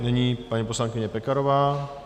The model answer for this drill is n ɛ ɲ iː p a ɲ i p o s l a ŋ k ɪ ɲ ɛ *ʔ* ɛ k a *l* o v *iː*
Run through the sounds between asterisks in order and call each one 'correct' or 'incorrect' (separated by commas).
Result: incorrect, incorrect, incorrect